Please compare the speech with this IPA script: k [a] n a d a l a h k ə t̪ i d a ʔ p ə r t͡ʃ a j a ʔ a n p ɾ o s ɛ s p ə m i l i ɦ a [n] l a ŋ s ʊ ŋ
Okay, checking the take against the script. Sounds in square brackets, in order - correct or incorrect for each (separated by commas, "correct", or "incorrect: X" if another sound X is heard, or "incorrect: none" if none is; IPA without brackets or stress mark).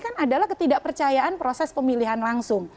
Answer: correct, correct